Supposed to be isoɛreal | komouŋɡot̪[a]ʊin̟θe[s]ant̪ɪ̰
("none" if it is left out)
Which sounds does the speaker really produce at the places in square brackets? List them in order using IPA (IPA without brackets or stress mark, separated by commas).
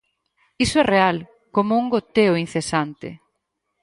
e, s